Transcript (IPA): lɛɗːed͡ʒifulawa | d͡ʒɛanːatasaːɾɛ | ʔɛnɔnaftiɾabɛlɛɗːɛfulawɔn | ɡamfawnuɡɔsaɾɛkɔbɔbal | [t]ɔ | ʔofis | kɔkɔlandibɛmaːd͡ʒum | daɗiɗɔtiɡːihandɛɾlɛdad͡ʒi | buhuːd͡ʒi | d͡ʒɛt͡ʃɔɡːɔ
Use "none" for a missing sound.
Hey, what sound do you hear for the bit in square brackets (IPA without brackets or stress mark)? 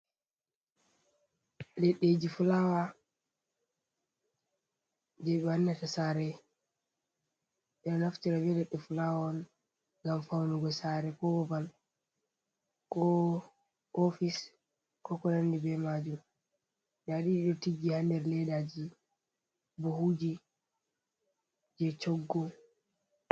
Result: k